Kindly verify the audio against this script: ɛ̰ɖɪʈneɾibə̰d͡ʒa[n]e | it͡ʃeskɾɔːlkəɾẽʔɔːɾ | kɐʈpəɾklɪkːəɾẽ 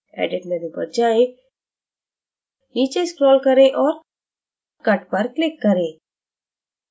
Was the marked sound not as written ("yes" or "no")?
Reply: yes